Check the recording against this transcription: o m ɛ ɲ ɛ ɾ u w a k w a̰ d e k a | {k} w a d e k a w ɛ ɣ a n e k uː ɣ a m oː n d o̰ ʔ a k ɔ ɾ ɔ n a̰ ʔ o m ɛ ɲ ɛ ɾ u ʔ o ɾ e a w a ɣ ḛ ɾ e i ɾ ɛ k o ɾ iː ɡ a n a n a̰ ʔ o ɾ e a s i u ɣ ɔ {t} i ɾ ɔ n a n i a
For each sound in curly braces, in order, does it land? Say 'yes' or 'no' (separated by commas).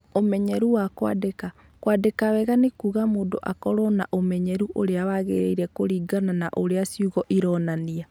yes, no